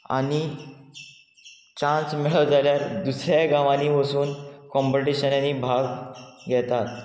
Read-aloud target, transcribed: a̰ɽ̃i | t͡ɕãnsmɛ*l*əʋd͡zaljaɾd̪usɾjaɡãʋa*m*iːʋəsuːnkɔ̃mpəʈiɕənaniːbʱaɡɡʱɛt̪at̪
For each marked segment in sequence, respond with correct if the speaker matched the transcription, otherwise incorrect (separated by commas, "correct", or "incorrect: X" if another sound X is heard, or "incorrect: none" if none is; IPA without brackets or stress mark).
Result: incorrect: ɭ, incorrect: n